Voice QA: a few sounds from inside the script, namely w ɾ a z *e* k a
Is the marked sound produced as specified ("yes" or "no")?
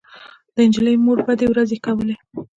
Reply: yes